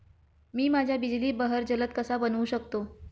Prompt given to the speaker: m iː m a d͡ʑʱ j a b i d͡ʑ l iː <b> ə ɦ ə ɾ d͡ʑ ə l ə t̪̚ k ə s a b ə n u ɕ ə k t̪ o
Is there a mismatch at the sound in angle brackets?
no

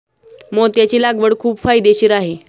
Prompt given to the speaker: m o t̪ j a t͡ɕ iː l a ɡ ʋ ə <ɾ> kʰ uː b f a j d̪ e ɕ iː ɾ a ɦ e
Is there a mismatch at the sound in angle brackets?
yes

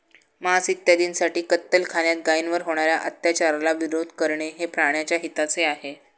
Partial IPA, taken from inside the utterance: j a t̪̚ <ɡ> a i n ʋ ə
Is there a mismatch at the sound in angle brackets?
no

